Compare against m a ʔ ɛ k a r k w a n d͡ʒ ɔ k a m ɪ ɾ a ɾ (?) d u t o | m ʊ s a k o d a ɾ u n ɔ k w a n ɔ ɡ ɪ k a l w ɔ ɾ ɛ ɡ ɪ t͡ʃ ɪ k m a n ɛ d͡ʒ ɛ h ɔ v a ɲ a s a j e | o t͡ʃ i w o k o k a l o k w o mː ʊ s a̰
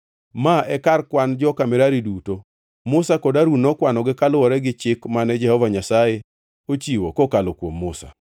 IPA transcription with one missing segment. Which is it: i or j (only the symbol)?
i